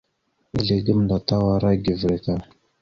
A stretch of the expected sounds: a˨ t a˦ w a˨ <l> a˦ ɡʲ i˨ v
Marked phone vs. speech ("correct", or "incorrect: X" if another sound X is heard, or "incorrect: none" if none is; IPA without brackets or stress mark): incorrect: ɾ